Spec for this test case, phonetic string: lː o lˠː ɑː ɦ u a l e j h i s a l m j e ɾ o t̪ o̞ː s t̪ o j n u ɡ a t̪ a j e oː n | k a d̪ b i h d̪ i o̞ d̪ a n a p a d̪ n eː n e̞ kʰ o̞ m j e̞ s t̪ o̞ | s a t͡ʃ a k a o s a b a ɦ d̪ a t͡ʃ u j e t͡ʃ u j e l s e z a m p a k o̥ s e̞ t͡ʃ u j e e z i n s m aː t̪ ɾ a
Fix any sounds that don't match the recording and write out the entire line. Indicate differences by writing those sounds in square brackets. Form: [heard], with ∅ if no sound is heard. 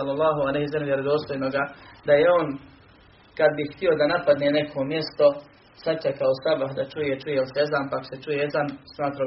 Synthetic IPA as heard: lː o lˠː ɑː ɦ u a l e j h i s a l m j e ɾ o [d̪] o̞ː s t̪ o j n [o] ɡ a [d̪] a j e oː n | k a d̪ b i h [t̪] i o̞ d̪ a n a p a d̪ n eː n e̞ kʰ o̞ m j e̞ s t̪ o̞ | s a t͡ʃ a k a o s a b a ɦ d̪ a t͡ʃ u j e t͡ʃ u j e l s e z a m p a k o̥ s e̞ t͡ʃ u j e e z [a] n s m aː t̪ ɾ a